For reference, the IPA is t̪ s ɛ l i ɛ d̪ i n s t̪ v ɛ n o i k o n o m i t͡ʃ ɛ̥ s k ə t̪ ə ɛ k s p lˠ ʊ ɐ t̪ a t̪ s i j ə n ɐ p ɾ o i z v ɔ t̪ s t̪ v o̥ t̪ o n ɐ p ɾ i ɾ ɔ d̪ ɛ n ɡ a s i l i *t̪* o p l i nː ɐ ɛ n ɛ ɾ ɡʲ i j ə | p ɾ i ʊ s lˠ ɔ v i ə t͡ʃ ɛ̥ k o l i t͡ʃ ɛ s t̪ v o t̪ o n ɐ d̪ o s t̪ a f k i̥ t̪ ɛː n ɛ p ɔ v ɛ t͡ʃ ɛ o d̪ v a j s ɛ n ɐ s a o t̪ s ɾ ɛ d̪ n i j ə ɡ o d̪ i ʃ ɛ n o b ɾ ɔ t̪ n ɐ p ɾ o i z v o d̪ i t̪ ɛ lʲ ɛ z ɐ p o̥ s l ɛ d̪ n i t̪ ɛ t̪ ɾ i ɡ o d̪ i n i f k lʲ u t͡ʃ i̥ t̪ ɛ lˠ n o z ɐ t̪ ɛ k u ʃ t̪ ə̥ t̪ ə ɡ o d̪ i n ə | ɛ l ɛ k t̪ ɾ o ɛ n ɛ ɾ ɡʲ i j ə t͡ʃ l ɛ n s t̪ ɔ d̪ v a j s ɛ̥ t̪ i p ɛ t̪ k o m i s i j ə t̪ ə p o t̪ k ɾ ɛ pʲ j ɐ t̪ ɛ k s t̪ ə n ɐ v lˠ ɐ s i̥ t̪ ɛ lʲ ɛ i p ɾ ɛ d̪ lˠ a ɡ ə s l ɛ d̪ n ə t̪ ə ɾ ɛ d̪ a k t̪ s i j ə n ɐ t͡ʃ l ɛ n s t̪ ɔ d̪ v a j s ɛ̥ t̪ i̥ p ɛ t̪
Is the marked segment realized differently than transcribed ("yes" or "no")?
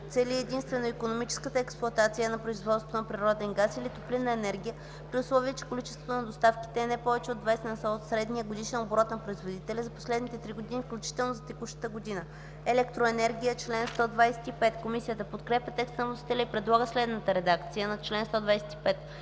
no